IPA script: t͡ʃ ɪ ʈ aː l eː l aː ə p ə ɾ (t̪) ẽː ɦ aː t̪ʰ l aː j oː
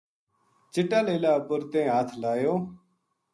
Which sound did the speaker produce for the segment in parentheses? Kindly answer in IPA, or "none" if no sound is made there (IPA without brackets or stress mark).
t̪